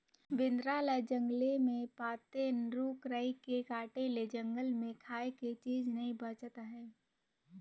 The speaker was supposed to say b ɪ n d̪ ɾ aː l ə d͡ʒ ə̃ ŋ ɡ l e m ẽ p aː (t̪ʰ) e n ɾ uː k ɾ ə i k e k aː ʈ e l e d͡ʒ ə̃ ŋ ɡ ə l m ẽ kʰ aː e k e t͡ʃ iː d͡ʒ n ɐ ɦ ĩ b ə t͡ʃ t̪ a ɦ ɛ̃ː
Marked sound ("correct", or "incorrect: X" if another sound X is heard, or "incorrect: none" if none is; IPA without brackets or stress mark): incorrect: t̪